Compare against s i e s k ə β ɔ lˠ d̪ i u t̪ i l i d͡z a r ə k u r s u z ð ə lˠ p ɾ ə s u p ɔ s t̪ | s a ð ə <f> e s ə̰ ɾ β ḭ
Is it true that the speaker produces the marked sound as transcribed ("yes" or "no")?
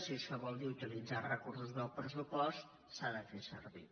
yes